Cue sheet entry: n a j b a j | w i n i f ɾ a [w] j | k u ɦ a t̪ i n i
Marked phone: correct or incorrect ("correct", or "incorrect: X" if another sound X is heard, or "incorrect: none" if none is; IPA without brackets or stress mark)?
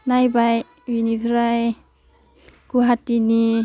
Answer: incorrect: none